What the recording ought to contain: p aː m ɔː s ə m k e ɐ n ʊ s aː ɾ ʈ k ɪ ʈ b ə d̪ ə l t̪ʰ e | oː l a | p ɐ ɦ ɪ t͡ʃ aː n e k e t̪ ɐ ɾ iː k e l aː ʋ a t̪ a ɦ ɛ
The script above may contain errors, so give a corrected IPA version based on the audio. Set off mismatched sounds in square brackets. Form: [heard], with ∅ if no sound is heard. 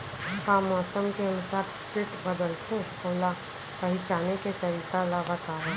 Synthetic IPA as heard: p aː m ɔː s ə m k e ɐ n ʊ s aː ɾ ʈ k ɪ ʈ b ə d̪ ə l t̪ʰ e | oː l a | p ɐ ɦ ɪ t͡ʃ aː n e k e t̪ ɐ ɾ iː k [a] l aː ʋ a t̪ a ɦ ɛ

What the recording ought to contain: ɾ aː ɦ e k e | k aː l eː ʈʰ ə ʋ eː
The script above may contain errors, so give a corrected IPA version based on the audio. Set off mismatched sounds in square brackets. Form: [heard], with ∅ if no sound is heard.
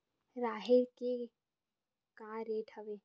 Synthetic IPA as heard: ɾ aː ɦ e k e | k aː [ɾ] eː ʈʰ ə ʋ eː

